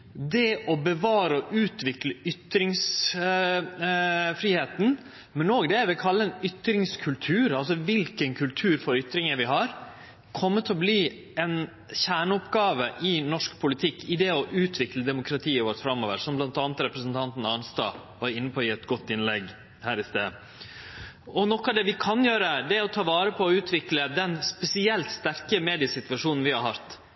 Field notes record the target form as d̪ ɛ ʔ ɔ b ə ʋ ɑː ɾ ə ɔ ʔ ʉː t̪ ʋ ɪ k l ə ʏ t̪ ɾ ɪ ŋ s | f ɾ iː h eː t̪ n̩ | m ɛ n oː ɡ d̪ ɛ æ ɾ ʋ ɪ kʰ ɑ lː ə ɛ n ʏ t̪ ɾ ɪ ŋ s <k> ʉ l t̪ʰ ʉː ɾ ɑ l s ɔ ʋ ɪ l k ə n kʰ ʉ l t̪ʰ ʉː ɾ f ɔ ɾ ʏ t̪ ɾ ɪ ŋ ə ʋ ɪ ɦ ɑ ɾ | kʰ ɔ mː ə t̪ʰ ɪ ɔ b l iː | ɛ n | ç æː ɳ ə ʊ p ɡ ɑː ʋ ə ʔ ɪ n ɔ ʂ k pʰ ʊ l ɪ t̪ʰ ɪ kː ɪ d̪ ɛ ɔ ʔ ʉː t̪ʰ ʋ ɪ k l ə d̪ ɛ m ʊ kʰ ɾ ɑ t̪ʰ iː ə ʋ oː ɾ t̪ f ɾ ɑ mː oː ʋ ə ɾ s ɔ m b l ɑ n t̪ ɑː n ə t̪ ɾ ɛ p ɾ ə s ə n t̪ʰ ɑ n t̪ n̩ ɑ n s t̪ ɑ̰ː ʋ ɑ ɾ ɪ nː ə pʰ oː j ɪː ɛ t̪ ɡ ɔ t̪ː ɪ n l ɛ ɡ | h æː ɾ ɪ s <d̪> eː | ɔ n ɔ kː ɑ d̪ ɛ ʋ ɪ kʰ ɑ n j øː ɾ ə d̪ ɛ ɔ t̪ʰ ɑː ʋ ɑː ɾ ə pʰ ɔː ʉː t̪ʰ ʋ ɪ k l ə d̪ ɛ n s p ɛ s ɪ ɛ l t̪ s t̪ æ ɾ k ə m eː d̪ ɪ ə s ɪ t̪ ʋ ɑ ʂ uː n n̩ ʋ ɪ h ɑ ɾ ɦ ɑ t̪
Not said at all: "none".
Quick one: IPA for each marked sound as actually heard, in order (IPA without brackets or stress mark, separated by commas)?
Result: kʰ, t̪